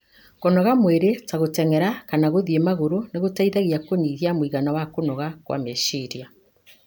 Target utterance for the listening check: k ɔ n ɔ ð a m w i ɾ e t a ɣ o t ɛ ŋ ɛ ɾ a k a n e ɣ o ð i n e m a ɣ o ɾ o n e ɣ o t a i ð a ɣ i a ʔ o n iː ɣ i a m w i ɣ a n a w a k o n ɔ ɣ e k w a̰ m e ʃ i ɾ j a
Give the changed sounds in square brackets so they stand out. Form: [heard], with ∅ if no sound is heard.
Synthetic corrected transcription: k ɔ n ɔ [ɣ] a m w [e] ɾ e t a ɣ o t ɛ ŋ ɛ ɾ a k a n [a] ɣ o ð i [∅] e m a ɣ o ɾ o n e ɣ o t a i ð a ɣ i a [k] o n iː ɣ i a m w i ɣ a n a w a k o n ɔ ɣ [a] k w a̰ m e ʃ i ɾ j a